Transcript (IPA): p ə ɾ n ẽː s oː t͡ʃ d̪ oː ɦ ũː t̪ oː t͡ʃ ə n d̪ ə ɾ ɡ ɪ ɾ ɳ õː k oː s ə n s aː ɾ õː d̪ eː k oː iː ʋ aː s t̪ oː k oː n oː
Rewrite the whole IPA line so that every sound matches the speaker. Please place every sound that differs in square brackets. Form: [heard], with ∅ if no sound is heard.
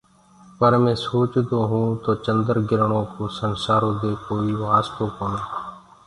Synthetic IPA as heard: p ə ɾ [m] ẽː s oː t͡ʃ d̪ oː ɦ ũː t̪ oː t͡ʃ ə n d̪ ə ɾ ɡ ɪ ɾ ɳ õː k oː s ə n s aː ɾ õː d̪ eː k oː iː ʋ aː s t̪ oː k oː n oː